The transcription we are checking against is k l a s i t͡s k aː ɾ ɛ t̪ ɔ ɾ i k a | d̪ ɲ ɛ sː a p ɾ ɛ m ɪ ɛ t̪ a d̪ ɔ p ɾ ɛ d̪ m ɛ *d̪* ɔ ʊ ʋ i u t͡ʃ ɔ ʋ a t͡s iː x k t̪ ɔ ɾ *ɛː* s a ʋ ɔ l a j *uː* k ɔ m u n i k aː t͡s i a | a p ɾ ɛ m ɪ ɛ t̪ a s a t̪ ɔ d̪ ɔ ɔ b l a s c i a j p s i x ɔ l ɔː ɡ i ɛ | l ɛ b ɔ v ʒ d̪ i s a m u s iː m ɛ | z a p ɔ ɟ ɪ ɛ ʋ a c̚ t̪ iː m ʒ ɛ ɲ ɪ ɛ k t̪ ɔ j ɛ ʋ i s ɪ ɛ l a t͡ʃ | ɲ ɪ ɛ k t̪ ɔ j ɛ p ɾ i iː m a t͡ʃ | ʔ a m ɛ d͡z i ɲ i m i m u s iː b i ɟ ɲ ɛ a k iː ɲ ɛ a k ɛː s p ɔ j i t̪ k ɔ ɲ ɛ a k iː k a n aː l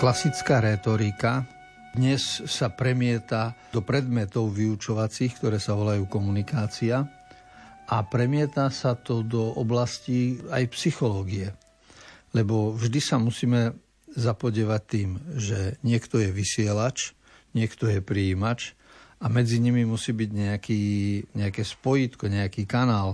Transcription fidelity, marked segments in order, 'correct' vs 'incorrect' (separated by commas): incorrect, correct, correct